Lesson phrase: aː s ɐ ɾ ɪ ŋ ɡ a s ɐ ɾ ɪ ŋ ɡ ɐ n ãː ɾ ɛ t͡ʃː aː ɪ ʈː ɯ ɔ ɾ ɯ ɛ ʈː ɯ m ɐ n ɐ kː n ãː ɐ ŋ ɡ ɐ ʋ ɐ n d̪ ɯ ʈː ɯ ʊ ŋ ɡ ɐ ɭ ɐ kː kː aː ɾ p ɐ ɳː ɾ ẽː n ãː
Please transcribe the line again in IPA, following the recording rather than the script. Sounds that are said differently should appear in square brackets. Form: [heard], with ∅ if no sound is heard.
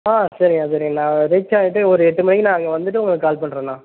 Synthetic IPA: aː s ɐ ɾ ɪ ŋ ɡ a s ɐ ɾ ɪ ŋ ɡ ɐ n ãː ɾ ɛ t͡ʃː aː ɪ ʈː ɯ ɔ ɾ ɯ ɛ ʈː ɯ m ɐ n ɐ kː n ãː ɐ ŋ ɡ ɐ ʋ ɐ n d̪ ɯ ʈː ɯ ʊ ŋ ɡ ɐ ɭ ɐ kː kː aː [l] p ɐ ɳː ɾ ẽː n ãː